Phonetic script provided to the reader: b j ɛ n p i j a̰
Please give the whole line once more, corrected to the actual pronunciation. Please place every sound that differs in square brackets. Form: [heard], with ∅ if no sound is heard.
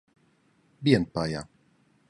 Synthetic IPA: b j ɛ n p [a] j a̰